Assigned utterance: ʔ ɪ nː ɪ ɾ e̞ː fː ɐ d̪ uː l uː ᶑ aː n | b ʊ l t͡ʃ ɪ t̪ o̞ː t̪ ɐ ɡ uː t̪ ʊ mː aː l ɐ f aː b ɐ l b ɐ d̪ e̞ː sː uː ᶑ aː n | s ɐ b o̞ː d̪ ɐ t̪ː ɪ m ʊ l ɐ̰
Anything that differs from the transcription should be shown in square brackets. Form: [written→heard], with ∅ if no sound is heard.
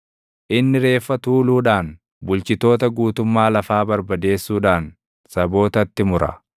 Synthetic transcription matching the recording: ʔ ɪ nː ɪ ɾ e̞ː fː ɐ [d̪→t̪] uː l uː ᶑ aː n | b ʊ l t͡ʃ ɪ t̪ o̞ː t̪ ɐ ɡ uː t̪ ʊ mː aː l ɐ f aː b ɐ [l→ɾ] b ɐ d̪ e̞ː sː uː ᶑ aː n | s ɐ b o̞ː [d̪→t̪] ɐ t̪ː ɪ m ʊ [l→ɾ] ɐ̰